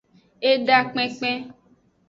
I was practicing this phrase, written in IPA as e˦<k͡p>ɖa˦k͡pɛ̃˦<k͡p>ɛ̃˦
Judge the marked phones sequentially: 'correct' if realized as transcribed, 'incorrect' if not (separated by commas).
incorrect, correct